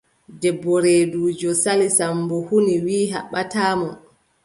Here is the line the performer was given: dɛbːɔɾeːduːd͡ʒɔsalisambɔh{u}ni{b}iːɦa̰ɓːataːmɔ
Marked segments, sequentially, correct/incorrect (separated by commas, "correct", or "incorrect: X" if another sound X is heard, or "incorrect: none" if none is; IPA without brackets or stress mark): correct, incorrect: w